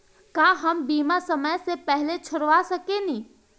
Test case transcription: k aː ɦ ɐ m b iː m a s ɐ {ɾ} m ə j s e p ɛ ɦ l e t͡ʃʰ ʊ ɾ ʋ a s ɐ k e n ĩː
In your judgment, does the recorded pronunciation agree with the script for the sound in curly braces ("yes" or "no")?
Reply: no